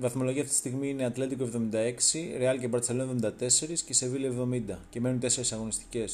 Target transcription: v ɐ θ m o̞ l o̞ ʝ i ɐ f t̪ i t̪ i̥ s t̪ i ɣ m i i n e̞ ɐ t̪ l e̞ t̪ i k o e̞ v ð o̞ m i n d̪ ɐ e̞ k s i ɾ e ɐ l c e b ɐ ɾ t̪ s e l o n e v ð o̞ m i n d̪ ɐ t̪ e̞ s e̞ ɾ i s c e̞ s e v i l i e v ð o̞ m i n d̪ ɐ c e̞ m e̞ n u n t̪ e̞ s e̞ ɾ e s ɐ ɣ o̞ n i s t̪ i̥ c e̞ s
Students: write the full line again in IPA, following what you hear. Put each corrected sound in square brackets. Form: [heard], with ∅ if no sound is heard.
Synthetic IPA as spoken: v ɐ θ m o̞ l o̞ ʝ i ɐ f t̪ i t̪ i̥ s t̪ i ɣ m i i n e̞ ɐ t̪ l e̞ t̪ i k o e̞ v ð o̞ m i n d̪ ɐ e̞ k s i ɾ e ɐ l c e b ɐ ɾ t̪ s e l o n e v ð o̞ m i n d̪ ɐ t̪ e̞ s e̞ ɾ i s c e̞ s e v i l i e v ð o̞ m i n d̪ ɐ c e̞ m e̞ n u n t̪ e̞ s e̞ ɾ e s ɐ ɣ o̞ n i s t̪ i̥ c e̞ s